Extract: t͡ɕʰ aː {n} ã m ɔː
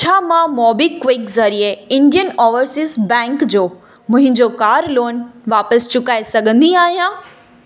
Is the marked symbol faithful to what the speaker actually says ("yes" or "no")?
no